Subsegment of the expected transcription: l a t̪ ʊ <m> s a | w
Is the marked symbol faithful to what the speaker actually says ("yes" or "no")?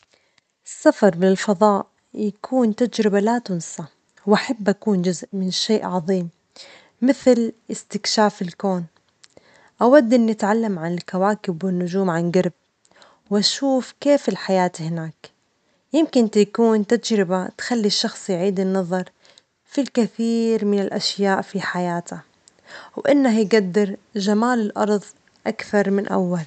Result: no